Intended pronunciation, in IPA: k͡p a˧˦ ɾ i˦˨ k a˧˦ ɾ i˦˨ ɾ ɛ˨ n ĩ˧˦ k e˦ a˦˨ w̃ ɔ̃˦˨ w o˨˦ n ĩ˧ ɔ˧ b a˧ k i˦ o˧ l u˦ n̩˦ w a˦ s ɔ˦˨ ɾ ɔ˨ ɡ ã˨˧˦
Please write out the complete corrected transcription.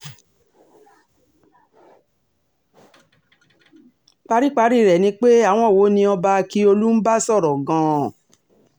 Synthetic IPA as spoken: k͡p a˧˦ ɾ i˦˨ k͡p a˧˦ ɾ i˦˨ ɾ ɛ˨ n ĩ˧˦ k͡p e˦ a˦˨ w̃ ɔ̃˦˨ w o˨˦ n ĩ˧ ɔ˧ b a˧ k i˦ o˧ l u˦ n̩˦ b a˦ s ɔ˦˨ ɾ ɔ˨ ɡ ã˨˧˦